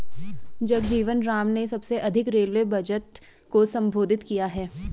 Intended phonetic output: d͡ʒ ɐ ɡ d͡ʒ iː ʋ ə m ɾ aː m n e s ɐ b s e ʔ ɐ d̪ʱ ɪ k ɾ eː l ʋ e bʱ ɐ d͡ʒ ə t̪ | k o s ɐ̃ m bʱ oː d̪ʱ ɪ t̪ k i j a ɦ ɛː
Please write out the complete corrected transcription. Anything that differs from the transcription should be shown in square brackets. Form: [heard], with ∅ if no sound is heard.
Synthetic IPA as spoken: d͡ʒ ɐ ɡ d͡ʒ iː ʋ ə [n] ɾ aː m n e s ɐ b s e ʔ ɐ d̪ʱ ɪ k ɾ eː l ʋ e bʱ ɐ d͡ʒ ə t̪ | k o s ɐ̃ m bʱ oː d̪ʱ ɪ t̪ k i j a ɦ ɛː